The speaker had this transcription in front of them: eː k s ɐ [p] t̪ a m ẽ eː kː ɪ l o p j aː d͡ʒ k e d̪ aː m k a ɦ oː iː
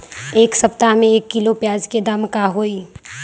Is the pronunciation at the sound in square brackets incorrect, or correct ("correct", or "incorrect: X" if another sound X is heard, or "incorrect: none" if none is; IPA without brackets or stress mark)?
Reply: correct